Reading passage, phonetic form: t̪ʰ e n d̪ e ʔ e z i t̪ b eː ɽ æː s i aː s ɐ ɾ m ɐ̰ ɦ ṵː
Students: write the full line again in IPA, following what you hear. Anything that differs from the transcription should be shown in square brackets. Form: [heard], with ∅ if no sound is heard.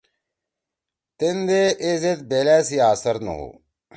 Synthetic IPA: [t̪] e n d̪ e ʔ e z [e] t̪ b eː [l] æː s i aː s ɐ ɾ [n] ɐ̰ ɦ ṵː